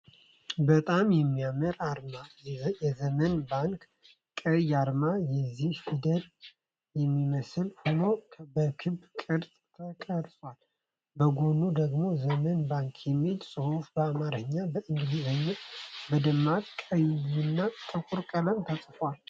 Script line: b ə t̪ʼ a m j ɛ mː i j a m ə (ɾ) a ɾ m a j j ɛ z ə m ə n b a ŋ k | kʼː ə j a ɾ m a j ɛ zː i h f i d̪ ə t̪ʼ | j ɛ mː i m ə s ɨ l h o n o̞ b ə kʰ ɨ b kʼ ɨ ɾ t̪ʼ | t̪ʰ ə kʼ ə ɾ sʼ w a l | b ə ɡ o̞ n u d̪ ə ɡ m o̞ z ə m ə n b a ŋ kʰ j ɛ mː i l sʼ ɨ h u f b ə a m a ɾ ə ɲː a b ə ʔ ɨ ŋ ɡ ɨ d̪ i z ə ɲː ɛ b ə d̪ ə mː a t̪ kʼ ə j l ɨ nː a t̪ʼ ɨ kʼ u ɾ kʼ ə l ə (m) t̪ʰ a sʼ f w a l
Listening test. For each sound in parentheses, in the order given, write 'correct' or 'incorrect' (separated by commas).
correct, correct